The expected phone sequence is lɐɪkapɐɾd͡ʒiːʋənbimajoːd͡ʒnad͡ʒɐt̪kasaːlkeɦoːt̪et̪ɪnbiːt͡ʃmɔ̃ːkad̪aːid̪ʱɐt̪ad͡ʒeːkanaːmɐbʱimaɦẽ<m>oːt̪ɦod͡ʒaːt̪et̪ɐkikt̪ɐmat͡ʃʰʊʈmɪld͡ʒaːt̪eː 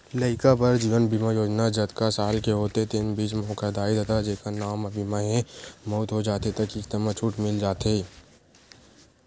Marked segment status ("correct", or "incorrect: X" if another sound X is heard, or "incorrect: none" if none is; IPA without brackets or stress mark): correct